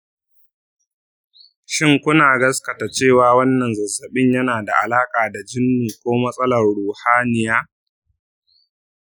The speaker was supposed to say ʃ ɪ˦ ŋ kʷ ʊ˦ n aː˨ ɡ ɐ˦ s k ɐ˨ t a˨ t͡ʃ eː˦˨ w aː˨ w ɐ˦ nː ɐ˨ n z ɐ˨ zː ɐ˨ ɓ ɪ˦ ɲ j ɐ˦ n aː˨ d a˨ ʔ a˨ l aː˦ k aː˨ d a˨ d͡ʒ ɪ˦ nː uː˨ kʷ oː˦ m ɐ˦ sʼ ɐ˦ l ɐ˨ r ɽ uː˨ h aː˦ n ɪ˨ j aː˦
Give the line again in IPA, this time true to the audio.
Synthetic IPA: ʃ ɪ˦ ŋ kʷ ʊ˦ n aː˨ ɡ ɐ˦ s k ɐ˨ t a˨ t͡ʃ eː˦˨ w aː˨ w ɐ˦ nː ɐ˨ n z ɐ˨ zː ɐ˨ ɓ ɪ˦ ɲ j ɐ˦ n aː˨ d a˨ ʔ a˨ l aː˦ kʼ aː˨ d a˨ d͡ʒ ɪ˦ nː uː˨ kʷ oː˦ m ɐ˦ sʼ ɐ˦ l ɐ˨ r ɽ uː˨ h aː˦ n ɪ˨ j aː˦